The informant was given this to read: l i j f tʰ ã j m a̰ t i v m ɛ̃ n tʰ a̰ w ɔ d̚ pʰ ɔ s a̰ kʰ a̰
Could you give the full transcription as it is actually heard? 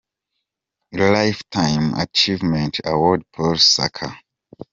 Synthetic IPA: l a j f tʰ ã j m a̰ t͡ʃ i v m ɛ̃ n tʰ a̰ w ɔ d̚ pʰ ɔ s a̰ kʰ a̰

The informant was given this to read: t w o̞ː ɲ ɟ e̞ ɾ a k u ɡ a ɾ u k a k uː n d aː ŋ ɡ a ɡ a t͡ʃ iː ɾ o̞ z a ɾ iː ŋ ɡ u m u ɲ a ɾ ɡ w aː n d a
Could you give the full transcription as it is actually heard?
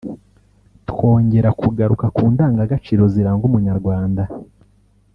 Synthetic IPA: t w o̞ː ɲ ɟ e̞ ɾ a k u ɡ a ɾ u k a k uː n d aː ŋ ɡ a ɡ a t͡ʃ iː ɾ o̞ z i ɾ aː ŋ ɡ u m u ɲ a ɾ ɡ w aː n d a

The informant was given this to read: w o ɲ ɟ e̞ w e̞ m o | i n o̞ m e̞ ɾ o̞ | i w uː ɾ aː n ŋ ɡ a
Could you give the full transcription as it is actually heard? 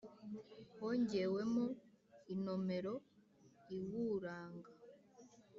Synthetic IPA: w o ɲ ɟ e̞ w e̞ m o | i n o̞ m e̞ ɾ o̞ | i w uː ɾ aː ŋ ɡ a

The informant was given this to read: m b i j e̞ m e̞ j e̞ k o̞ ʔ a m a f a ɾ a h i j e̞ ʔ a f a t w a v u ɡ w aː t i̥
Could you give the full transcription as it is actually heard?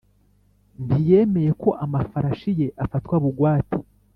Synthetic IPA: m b i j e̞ m e̞ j e̞ k o̞ ʔ a m a f a ɾ a ʃ i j e̞ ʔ a f a t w a β u ɡ w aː t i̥

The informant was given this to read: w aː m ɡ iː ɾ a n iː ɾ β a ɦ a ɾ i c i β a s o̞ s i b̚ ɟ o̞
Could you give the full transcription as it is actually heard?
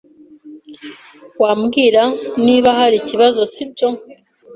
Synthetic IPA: w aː m ɡ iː ɾ a n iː β a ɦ a ɾ i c i β a z o̞ s i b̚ ɟ o̞

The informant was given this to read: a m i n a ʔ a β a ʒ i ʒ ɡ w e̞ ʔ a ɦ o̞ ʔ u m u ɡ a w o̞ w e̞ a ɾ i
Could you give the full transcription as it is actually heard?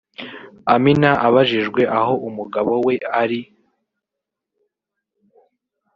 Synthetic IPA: a m i n a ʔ a β a ʒ i ʒ ɡ w e̞ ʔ a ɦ o̞ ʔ u m u ɡ a β o̞ w e̞ a ɾ i

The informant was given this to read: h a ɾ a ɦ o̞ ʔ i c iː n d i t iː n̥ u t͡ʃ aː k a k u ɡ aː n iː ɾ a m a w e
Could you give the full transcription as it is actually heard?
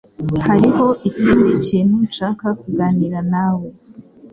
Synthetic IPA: h a ɾ i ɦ o̞ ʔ i c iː n d i c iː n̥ u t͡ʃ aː k a k u ɡ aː n i ɾ a n a w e

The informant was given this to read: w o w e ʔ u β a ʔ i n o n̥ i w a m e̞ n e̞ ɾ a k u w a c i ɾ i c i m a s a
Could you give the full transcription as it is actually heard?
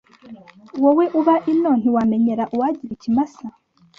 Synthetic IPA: w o w e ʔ u β a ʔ i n o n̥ i w a m e̞ ɲ e̞ ɾ a ʔ u w a ɟ i ɾ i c i m a s a

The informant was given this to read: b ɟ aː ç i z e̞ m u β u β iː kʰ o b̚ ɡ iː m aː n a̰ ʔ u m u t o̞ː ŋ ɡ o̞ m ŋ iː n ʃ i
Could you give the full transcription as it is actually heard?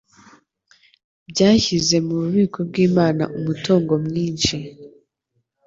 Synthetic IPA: b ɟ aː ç i z e̞ m u β u β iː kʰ o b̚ ɡ iː m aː n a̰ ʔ u m u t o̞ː ŋ ɡ o̞ m ŋ iː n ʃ i

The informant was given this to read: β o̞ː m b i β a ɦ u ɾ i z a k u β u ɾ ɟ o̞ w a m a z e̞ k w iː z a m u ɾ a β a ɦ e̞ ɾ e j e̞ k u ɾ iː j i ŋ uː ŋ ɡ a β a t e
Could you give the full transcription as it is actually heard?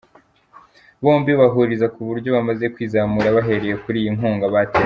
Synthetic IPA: β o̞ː m b i β a ɦ u ɾ i z a k u β u ɾ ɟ o̞ β a m a z e̞ k w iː z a m u ɾ a β a ɦ e̞ ɾ e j e̞ k u ɾ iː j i ŋ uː ŋ ɡ a β a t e

